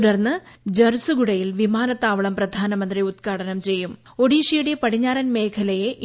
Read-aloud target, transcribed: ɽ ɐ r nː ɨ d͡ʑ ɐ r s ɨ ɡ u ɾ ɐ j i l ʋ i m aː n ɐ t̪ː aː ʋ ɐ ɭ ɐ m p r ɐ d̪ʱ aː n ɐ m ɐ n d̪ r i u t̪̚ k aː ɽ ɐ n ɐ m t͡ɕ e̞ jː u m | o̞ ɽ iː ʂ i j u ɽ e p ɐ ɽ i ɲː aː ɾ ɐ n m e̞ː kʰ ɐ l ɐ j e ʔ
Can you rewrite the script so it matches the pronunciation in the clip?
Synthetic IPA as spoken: ɽ ɐ r nː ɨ d͡ʑ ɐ r s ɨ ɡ u ɽ ɐ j i l ʋ i m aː n ɐ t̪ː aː ʋ ɐ ɭ ɐ m p r ɐ d̪ʱ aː n ɐ m ɐ n d̪ r i u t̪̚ k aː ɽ ɐ n ɐ m t͡ɕ e̞ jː u m | o̞ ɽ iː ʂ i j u ɽ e p ɐ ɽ i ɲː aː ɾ ɐ n m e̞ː kʰ ɐ l ɐ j e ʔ